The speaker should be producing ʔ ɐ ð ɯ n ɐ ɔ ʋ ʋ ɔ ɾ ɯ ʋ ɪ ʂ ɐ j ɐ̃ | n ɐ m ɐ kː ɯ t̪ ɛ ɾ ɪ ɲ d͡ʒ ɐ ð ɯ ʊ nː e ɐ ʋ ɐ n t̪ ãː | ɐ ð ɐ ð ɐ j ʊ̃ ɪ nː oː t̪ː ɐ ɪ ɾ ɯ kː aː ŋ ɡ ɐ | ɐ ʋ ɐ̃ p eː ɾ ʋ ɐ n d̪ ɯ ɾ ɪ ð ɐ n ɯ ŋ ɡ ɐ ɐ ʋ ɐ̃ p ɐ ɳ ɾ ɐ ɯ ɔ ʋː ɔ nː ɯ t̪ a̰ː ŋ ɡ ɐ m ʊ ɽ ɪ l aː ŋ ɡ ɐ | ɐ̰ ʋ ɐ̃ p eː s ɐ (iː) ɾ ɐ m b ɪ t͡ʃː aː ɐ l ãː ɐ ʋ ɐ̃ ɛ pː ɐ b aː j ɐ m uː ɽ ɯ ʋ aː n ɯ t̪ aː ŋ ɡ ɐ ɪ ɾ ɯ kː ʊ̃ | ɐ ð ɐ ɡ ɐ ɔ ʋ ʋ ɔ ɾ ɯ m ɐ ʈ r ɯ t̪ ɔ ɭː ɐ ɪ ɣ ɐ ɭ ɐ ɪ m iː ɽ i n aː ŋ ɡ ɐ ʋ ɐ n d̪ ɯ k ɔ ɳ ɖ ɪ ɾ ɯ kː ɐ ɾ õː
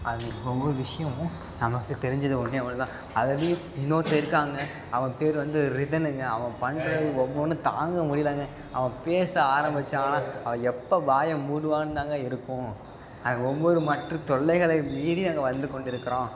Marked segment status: incorrect: aː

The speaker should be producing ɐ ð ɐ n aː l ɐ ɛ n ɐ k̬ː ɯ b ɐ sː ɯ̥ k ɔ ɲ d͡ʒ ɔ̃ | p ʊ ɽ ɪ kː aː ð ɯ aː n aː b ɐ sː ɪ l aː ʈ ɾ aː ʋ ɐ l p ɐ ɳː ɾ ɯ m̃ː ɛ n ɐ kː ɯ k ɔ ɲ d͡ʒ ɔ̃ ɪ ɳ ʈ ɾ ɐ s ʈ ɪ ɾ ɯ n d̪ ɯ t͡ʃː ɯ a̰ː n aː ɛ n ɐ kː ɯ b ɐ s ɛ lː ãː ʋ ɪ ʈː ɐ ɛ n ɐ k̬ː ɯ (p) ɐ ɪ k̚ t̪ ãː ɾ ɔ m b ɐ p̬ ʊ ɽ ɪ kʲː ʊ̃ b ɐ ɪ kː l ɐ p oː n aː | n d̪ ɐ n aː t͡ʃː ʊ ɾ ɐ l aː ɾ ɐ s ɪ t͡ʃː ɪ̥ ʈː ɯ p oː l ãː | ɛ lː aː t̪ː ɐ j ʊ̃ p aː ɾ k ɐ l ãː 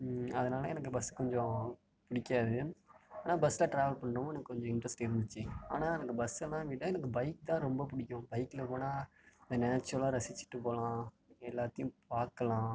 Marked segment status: incorrect: b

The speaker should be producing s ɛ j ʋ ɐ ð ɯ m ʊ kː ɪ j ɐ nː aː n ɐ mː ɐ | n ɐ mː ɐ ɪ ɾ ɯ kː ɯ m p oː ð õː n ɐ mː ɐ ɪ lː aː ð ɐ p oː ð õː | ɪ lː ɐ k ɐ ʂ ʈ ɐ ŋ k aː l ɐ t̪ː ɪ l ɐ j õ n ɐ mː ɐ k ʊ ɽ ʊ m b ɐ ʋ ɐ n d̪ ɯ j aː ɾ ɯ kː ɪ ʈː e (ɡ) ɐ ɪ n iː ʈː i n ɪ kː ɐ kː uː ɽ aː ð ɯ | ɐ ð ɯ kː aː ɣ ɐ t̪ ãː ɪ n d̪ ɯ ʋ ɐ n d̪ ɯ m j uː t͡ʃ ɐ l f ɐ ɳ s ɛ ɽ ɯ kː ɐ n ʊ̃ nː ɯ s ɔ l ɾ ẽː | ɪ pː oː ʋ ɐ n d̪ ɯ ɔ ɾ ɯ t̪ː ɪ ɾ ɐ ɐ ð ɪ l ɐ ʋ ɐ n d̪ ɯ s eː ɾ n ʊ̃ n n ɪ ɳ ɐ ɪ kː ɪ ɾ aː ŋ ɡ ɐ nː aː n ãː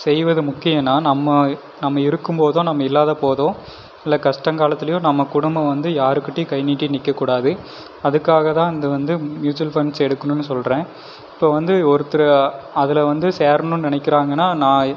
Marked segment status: incorrect: k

